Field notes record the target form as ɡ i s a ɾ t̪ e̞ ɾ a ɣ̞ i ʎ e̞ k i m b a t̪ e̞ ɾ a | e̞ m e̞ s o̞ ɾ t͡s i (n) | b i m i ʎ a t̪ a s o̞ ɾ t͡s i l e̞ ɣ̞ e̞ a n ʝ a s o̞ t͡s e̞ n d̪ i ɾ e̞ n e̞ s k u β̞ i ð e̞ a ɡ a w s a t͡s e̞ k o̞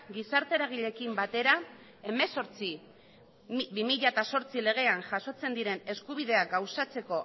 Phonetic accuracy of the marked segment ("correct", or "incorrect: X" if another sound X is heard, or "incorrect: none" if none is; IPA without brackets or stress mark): incorrect: none